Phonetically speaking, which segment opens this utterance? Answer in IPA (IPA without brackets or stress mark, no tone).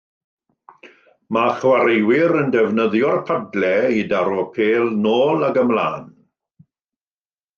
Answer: m